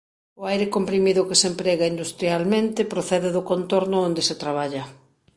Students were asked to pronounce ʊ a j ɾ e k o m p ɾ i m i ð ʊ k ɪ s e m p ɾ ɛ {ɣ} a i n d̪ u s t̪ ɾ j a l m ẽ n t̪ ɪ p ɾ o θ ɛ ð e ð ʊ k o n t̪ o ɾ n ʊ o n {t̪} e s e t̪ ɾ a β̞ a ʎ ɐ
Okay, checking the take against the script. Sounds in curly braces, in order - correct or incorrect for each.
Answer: correct, incorrect: d̪

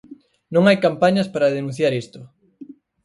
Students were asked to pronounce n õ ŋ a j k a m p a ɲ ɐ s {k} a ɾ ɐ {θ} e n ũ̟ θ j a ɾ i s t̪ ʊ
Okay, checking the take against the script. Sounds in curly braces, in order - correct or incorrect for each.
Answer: incorrect: p, incorrect: ð

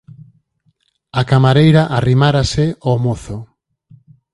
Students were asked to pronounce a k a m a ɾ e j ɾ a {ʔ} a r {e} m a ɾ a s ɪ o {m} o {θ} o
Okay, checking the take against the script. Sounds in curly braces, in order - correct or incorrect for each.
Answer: correct, incorrect: i, correct, correct

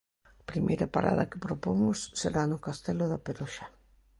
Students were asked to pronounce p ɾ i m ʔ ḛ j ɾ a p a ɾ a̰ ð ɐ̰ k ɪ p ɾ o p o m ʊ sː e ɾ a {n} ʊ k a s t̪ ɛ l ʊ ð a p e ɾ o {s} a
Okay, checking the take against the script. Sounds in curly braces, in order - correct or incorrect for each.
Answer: correct, incorrect: ʃ

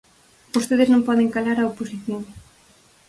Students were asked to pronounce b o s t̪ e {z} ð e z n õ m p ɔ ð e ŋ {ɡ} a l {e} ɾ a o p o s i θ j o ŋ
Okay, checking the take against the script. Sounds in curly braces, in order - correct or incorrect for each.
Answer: incorrect: none, incorrect: k, incorrect: a

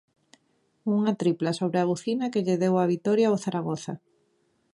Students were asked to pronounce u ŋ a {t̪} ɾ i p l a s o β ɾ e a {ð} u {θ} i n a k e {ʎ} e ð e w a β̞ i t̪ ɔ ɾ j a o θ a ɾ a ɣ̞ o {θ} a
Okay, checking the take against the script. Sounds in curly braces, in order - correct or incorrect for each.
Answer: correct, incorrect: ɣ, correct, correct, correct

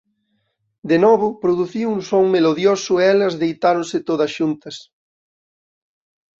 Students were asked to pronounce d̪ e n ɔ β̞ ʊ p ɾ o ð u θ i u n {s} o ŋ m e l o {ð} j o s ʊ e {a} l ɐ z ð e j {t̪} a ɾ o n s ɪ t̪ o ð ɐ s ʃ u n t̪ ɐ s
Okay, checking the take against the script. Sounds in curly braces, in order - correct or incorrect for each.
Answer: correct, correct, incorrect: ɛ, correct

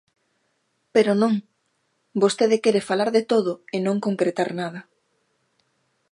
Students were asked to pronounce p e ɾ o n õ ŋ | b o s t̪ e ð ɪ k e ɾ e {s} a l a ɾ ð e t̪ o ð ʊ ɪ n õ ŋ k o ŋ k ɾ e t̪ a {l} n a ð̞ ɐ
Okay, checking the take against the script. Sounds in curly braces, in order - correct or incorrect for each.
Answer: incorrect: f, incorrect: ɾ

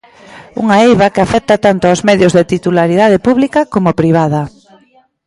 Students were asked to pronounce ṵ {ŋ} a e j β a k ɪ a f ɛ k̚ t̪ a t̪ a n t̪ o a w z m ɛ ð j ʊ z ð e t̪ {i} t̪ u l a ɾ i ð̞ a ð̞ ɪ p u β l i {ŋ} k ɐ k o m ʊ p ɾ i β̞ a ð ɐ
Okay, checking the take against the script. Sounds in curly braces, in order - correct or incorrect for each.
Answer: correct, correct, incorrect: none

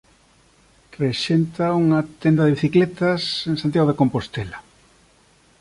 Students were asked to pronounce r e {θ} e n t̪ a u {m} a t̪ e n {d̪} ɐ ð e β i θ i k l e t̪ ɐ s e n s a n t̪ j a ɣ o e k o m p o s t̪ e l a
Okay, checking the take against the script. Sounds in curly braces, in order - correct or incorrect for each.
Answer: incorrect: ʃ, incorrect: ŋ, correct

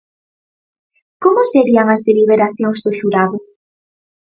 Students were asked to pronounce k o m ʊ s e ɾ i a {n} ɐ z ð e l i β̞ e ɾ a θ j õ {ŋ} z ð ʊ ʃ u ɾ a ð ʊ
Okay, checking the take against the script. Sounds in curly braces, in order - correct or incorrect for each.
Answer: incorrect: ŋ, correct

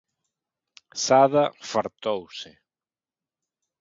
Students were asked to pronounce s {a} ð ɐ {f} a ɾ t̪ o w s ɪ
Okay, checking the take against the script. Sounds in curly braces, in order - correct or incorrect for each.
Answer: correct, correct

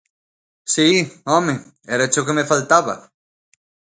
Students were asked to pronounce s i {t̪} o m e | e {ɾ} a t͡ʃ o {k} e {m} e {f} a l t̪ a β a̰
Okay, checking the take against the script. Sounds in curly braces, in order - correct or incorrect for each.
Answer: incorrect: none, correct, correct, correct, correct

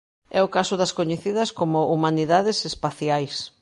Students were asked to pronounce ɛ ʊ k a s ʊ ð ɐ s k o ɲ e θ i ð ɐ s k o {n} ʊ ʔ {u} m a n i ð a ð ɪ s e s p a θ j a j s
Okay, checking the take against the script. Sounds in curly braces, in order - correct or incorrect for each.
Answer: incorrect: m, correct

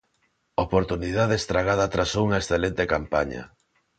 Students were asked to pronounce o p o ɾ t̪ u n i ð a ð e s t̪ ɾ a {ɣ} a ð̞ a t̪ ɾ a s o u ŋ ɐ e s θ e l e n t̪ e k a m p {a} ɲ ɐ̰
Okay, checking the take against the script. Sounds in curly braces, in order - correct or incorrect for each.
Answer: correct, correct

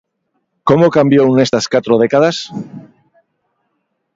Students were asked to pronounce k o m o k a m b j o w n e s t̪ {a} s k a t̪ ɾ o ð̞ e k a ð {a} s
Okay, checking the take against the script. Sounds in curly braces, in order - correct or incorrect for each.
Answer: correct, correct

